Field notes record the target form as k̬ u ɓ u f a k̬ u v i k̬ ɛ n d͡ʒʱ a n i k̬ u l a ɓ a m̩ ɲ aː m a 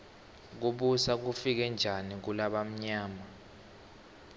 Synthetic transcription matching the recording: k̬ u ɓ u s a k̬ u f i k̬ ɛ n d͡ʒʱ a n i k̬ u l a ɓ a m̩ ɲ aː m a